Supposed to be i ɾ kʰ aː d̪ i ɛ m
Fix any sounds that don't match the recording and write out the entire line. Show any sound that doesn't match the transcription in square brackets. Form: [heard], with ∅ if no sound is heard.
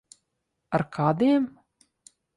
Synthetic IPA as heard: [a] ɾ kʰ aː d̪ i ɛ m